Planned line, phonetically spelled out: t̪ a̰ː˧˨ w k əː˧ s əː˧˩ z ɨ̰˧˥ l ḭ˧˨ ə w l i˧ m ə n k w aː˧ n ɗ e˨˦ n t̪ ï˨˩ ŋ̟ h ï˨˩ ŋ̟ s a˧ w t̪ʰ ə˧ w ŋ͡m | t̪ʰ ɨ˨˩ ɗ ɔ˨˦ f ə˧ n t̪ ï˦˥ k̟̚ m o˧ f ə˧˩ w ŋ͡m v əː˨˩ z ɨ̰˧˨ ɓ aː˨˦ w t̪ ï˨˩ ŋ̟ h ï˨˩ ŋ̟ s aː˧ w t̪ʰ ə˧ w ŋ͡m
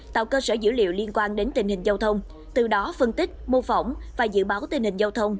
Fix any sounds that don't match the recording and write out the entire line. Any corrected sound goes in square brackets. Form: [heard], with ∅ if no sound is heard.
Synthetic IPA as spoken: t̪ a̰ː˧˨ w k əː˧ s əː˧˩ z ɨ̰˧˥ l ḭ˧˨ ə w l i˧ [∅] ə n k w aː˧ n ɗ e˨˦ n t̪ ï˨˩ ŋ̟ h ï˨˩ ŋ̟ [z] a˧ w t̪ʰ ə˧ w ŋ͡m | [t̪] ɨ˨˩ ɗ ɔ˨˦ f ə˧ n t̪ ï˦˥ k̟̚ m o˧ f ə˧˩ w ŋ͡m v [aː˨˩] z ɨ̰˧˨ ɓ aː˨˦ w t̪ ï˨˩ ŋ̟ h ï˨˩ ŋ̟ [z] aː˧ w t̪ʰ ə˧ w ŋ͡m